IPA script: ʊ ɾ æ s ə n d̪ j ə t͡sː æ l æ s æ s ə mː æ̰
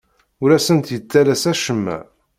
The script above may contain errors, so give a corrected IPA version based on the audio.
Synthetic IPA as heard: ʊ ɾ æ s ə n t̪ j ə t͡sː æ l æ s æ ʃ ə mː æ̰